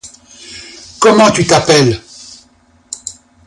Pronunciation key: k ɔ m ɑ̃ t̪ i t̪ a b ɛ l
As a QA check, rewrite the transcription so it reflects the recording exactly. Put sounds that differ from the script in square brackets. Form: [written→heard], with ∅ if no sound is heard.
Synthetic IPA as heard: k ɔ m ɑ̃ t̪ [i→y] t̪ a [b→p] ɛ l

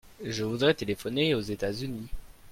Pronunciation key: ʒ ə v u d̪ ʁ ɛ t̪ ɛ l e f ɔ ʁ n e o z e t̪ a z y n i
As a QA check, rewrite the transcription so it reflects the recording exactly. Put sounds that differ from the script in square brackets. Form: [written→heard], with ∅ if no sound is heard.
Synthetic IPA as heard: ʒ ə v u d̪ ʁ ɛ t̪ [ɛ→e] l e f ɔ [ʁ→∅] n e o z e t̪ a z y n i

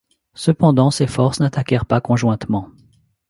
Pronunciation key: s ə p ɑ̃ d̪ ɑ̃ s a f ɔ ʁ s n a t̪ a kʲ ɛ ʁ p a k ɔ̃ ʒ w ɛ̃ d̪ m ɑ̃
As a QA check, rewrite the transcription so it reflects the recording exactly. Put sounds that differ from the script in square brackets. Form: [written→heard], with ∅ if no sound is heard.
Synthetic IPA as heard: s ə p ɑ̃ d̪ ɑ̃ s [a→e] f ɔ ʁ s n a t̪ a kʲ ɛ ʁ p a k ɔ̃ ʒ w ɛ̃ [d̪→t̪] m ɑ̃

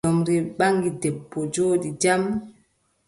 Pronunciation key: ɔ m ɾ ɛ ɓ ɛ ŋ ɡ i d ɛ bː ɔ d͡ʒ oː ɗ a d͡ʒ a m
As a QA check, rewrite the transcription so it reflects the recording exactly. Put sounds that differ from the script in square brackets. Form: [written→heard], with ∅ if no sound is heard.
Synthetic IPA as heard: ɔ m ɾ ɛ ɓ [ɛ→a] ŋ ɡ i d ɛ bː ɔ d͡ʒ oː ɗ [a→i] d͡ʒ a m

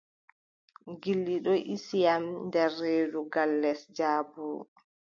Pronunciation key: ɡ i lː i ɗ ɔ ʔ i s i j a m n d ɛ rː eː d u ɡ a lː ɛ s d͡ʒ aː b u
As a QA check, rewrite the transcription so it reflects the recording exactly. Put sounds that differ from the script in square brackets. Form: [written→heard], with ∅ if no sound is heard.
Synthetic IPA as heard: ɡ i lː i ɗ ɔ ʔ i s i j a m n d ɛ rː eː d u ɡ a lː ɛ s d͡ʒ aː b u

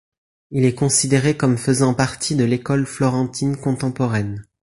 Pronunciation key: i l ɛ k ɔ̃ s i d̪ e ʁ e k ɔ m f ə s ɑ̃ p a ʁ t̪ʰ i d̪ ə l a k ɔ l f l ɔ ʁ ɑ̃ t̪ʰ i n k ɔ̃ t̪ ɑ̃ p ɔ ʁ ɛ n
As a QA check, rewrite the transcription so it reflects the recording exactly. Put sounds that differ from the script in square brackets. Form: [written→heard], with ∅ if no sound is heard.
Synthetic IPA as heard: i l ɛ k ɔ̃ s i d̪ e ʁ e k ɔ m f ə [s→z] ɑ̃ p a ʁ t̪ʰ i d̪ ə l [a→e] k ɔ l f l ɔ ʁ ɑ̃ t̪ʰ i n k ɔ̃ t̪ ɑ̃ p ɔ ʁ ɛ n

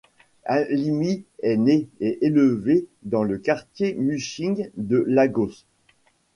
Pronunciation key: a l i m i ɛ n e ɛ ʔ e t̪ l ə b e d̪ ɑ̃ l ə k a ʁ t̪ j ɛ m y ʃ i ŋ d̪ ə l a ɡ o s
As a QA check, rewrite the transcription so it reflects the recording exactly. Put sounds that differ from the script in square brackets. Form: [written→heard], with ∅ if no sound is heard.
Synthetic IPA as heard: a l i m i ɛ n e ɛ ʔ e [t̪→∅] l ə [b→v] e d̪ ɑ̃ l ə k a ʁ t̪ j [ɛ→e] m y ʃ i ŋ d̪ ə l a ɡ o s

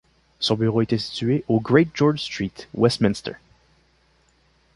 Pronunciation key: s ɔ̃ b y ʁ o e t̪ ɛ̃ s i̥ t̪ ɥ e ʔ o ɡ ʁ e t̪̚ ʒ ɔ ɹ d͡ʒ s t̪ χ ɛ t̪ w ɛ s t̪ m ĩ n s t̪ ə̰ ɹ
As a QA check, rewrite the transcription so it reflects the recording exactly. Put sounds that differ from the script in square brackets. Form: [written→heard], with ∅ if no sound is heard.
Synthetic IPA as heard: s ɔ̃ b y ʁ o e t̪ [ɛ̃→ɛ] s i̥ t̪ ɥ e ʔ o ɡ ʁ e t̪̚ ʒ ɔ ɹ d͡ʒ s t̪ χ [ɛ→i] t̪ w ɛ s t̪ m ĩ n s t̪ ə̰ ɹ

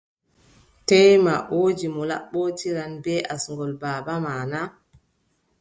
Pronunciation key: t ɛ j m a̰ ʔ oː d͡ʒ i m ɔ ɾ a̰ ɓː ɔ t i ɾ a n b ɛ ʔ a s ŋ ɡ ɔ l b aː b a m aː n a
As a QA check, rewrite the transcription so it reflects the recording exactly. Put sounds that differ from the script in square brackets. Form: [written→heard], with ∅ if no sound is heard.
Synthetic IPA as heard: t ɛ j m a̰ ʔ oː d͡ʒ i m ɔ [ɾ→l] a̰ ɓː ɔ t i ɾ a n b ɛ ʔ a s ŋ ɡ ɔ l b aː b a m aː n a

